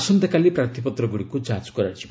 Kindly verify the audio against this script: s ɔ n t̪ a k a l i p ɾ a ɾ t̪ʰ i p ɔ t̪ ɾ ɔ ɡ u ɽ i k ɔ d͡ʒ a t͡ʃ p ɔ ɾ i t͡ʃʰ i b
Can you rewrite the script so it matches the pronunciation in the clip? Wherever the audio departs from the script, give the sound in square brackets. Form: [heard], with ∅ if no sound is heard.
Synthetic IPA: s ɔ n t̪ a k a l i p ɾ a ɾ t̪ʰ i p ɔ t̪ ɾ ɔ ɡ u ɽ i k [u] d͡ʒ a t͡ʃ [k] ɔ ɾ [a] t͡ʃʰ i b

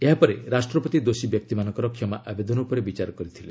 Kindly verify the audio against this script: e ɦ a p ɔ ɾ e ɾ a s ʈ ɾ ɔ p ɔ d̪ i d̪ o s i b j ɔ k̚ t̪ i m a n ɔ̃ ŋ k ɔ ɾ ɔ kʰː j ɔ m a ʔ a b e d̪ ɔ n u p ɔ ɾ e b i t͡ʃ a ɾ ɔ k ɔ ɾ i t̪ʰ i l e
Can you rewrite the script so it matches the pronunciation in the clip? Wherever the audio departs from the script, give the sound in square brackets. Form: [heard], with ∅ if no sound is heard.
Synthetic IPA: e ɦ a p ɔ ɾ e ɾ a s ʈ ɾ ɔ p ɔ [t̪] i d̪ o s i b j ɔ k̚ t̪ i m a n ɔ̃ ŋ k ɔ ɾ ɔ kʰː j ɔ m a ʔ a b e d̪ ɔ n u p ɔ ɾ e b i t͡ʃ a ɾ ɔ k ɔ ɾ i t̪ʰ i l e

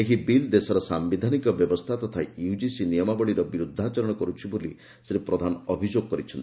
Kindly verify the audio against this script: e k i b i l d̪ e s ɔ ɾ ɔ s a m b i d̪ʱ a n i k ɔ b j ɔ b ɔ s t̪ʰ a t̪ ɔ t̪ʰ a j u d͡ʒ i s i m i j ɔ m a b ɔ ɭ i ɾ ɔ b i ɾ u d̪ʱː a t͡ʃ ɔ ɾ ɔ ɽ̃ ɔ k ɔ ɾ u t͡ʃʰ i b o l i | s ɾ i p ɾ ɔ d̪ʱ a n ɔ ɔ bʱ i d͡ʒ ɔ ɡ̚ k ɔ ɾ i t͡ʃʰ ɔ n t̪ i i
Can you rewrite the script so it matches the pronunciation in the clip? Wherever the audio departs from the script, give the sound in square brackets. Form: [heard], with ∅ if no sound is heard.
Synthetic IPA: e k i b i l d̪ e s ɔ ɾ ɔ s a m b i d̪ʱ a n i k ɔ b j ɔ b ɔ s t̪ʰ a t̪ ɔ t̪ʰ a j u d͡ʒ i s i [n] i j ɔ m a b ɔ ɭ i ɾ ɔ b i ɾ u d̪ʱː a t͡ʃ ɔ ɾ ɔ ɽ̃ ɔ k ɔ ɾ u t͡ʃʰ i b o l i | s ɾ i p ɾ ɔ d̪ʱ a n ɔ ɔ bʱ i d͡ʒ [o] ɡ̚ k ɔ ɾ i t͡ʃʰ ɔ n t̪ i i

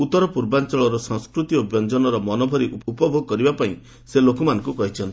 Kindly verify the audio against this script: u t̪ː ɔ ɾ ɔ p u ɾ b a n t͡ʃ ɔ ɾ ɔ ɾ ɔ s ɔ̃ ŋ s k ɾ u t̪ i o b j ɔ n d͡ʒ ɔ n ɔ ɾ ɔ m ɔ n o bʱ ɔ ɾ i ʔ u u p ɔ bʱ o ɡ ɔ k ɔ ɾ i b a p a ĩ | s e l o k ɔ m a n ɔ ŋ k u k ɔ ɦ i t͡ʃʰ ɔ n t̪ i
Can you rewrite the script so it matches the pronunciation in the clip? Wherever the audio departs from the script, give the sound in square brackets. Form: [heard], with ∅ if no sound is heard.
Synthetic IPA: u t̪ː ɔ ɾ ɔ p u ɾ b a n t͡ʃ ɔ [ɭ] ɔ ɾ ɔ s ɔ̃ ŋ s k ɾ u t̪ i o b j ɔ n d͡ʒ ɔ n ɔ ɾ ɔ m ɔ n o bʱ ɔ ɾ i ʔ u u p ɔ bʱ o ɡ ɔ k ɔ ɾ i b a p a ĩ | s e l o k ɔ m a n ɔ ŋ k u k ɔ ɦ i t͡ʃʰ ɔ n t̪ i

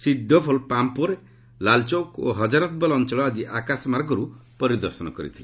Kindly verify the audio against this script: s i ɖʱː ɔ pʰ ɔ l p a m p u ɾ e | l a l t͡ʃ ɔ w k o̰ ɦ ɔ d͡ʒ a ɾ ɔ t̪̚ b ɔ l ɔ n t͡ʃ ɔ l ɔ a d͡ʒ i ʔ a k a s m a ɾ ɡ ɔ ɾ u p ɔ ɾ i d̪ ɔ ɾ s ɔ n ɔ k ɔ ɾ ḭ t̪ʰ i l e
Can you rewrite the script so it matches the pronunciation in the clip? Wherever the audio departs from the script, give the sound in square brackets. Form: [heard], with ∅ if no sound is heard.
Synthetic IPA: s i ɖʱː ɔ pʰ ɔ l p a m p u ɾ e | l a l t͡ʃ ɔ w k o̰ ɦ ɔ d͡ʒ a ɾ ɔ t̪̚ b ɔ l ɔ n t͡ʃ ɔ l ɔ a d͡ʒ i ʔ a k a s m a ɾ ɡ ɔ ɾ u p ɔ ɾ i d̪ ɔ ɾ s ɔ n ɔ k ɔ ɾ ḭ t̪ʰ i l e

